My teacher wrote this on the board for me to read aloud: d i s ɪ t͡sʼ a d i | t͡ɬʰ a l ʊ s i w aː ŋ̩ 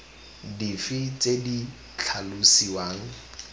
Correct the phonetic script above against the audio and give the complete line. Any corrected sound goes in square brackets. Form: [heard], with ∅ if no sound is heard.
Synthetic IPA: d i [f] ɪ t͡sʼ [e] d i | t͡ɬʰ a l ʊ s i w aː ŋ̩